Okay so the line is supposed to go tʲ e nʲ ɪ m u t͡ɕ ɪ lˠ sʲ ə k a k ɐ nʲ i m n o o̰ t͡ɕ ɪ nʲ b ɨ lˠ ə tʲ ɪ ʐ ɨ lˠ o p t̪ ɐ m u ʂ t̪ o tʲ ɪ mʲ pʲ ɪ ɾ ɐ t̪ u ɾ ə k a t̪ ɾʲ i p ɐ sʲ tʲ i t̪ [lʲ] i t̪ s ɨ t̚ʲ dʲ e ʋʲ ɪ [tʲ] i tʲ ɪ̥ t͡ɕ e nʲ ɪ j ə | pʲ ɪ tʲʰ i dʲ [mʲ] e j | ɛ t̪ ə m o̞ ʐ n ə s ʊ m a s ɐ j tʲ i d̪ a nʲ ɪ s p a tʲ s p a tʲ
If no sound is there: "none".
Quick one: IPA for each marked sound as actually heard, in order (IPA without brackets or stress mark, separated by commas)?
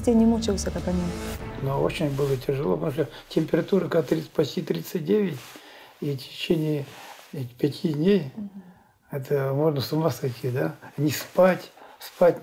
ɾʲ, tʲ, nʲ